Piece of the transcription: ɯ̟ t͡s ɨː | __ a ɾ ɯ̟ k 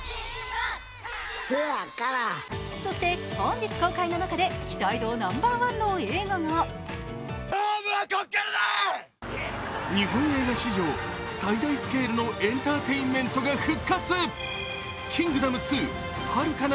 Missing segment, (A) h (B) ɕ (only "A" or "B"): A